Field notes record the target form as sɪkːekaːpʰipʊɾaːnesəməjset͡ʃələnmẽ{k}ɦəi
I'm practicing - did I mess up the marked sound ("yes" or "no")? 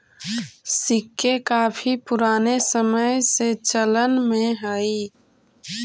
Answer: yes